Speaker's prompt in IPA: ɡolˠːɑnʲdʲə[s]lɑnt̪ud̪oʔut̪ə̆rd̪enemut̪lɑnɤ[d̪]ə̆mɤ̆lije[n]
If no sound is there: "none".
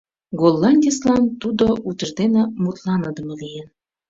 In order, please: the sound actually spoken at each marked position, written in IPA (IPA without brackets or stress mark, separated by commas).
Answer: s, d̪, n